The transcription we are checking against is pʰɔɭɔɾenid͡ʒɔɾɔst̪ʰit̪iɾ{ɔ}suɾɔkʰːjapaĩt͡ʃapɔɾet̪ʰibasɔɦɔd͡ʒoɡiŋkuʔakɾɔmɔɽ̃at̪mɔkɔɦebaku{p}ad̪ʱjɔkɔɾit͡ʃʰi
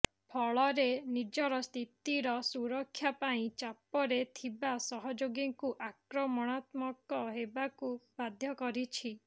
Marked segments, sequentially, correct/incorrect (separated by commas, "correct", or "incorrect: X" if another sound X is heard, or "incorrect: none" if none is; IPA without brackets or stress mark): correct, incorrect: b